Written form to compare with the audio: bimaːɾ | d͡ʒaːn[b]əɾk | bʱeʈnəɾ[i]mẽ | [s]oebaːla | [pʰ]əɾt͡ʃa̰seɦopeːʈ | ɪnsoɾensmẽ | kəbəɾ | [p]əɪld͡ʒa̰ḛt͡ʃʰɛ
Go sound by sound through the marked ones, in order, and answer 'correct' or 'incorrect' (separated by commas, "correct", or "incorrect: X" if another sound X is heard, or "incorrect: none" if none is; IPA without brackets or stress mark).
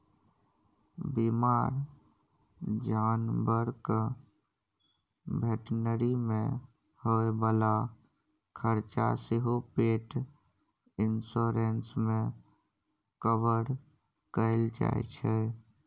correct, correct, incorrect: h, incorrect: kʰ, incorrect: k